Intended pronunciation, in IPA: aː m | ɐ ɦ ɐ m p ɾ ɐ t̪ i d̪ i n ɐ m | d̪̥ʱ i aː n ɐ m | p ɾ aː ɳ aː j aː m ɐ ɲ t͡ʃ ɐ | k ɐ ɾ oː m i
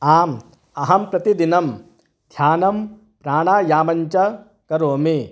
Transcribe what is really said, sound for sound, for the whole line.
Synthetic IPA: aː m | ɐ ɦ ɐ m p ɾ ɐ t̪ i d̪ i n ɐ m | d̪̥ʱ j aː n ɐ m | p ɾ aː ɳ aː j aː m ɐ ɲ t͡ʃ ɐ | k ɐ ɾ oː m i